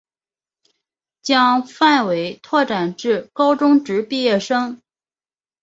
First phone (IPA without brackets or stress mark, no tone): t͡ɕ